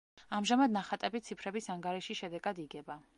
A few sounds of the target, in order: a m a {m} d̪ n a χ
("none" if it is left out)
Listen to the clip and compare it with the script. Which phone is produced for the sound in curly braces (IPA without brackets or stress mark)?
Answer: none